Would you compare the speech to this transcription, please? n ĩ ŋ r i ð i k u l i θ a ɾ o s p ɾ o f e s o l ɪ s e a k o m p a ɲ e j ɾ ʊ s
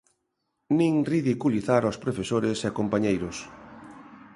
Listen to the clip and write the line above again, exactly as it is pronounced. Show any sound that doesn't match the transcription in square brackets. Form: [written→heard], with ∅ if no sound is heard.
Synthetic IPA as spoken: n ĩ ŋ r i ð i k u l i θ a ɾ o s p ɾ o f e s o [l→ɾ] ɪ s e a k o m p a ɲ e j ɾ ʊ s